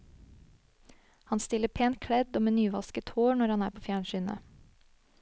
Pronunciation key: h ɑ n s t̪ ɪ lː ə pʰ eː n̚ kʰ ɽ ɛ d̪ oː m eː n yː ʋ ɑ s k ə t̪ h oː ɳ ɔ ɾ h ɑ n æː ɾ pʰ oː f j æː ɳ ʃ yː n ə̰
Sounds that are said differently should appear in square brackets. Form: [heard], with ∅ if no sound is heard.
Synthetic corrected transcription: h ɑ n s t̪ ɪ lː ə pʰ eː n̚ kʰ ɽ ɛ d̪ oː m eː n yː ʋ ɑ s k ə t̪ h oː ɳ ɔ ɾ h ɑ n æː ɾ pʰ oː f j æː ɳ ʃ yː n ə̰